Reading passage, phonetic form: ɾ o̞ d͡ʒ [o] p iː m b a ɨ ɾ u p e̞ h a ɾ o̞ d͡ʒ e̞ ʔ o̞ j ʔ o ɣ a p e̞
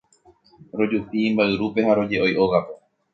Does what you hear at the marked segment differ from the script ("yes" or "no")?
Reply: yes